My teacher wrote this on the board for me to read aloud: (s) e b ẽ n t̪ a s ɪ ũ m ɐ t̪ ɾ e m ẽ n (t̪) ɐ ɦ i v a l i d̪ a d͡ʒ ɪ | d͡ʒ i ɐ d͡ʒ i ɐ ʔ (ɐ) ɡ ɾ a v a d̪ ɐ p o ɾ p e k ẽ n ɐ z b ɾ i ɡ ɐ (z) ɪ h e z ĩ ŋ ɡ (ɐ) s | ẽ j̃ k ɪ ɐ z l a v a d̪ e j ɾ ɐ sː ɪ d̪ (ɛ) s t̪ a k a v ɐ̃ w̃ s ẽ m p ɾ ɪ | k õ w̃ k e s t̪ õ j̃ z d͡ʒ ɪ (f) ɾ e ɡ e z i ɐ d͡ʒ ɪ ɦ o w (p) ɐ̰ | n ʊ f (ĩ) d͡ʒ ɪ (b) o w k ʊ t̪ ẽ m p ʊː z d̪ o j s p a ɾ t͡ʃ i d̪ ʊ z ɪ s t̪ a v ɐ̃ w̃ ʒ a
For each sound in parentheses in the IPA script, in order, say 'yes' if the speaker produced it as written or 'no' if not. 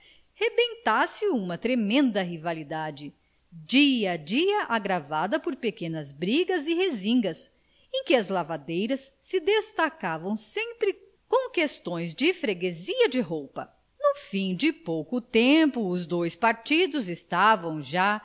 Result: no, no, no, yes, yes, no, yes, yes, yes, no

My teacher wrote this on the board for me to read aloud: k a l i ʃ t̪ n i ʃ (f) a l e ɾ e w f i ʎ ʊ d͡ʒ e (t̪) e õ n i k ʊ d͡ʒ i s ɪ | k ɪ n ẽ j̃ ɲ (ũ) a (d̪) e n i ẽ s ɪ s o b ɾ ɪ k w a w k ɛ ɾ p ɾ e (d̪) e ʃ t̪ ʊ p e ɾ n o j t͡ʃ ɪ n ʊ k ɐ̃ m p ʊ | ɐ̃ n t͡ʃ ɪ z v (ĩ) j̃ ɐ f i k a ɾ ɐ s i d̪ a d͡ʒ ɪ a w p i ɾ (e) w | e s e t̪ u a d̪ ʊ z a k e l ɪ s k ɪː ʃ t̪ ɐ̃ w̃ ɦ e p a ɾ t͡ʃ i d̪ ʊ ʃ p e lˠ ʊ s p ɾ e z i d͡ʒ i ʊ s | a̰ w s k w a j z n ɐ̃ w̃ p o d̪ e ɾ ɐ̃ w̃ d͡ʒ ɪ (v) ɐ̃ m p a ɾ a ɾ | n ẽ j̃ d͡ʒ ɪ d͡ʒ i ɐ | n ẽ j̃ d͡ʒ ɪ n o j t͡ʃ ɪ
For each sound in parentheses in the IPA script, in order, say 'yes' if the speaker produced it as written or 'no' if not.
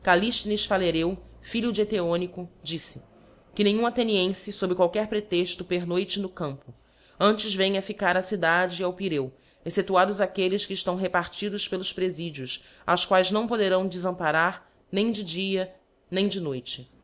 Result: yes, yes, yes, no, no, no, yes, no

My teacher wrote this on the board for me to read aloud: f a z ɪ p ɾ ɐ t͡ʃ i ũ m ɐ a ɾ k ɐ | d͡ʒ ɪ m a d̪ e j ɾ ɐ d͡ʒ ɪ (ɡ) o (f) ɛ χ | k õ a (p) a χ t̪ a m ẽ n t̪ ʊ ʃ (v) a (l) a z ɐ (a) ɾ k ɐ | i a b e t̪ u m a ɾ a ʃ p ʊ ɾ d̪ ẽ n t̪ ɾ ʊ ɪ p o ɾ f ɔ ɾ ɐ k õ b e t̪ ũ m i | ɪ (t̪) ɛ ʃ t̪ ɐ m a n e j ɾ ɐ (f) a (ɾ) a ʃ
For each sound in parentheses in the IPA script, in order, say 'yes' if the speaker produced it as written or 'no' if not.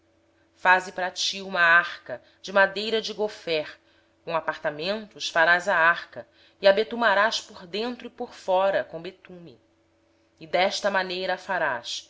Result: yes, yes, yes, no, no, yes, no, yes, yes

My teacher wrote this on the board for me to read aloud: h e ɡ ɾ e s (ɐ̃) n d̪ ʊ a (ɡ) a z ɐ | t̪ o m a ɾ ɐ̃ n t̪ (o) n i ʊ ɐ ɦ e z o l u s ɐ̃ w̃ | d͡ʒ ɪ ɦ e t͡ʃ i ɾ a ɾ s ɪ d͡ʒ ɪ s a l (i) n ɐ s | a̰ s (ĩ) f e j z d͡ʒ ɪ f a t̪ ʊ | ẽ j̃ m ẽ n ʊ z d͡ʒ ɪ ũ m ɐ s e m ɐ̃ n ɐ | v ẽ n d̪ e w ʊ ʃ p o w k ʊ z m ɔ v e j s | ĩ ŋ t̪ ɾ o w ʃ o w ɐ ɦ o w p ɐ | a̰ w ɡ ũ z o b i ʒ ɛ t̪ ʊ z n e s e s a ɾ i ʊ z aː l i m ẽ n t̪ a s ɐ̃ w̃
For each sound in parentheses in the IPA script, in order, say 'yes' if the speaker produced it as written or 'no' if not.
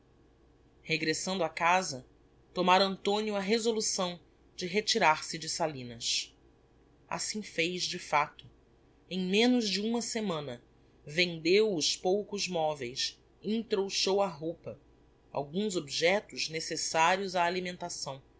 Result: yes, no, no, no, yes

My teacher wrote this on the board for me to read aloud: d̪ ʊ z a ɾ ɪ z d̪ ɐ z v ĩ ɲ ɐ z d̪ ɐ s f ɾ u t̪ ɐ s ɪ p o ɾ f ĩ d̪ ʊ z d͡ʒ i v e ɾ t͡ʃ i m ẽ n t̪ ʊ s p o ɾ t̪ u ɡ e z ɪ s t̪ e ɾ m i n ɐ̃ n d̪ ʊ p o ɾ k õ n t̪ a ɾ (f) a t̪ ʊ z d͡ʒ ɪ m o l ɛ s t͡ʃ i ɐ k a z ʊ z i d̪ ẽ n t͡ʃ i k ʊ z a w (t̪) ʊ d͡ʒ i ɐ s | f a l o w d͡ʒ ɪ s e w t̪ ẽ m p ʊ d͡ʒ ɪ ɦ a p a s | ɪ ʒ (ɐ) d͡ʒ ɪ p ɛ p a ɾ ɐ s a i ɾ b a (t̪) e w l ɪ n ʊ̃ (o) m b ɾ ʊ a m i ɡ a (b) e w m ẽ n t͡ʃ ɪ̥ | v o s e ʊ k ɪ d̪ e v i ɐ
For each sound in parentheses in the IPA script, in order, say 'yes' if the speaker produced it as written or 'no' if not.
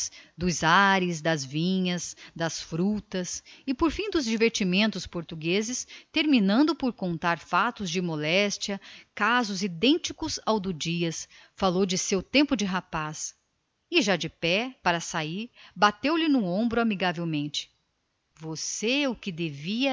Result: yes, no, no, yes, no, no

